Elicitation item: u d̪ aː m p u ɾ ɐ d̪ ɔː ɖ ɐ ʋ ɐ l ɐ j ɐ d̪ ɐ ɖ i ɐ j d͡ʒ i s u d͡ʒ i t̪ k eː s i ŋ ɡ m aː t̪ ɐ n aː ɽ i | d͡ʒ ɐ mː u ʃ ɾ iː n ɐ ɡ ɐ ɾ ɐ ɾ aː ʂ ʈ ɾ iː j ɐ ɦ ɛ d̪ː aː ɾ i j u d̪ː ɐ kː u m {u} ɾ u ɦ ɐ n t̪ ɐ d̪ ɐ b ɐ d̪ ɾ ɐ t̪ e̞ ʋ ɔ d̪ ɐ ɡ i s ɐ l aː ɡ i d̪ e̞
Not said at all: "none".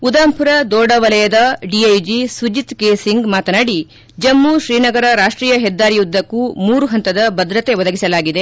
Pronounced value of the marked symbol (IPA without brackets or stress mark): uː